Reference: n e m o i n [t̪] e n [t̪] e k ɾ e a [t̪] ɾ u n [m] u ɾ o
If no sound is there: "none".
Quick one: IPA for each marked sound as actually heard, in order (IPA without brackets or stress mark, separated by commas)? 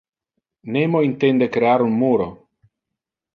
t̪, d̪, none, m